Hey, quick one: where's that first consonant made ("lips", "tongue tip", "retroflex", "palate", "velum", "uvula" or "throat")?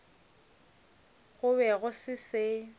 velum